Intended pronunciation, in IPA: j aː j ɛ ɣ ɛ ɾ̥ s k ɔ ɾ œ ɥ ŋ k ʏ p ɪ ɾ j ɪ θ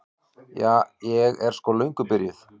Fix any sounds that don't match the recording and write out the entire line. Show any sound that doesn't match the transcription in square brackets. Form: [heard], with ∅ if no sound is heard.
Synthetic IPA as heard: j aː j ɛ ɣ ɛ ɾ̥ s k ɔ [l] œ ɥ ŋ k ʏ p ɪ ɾ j ɪ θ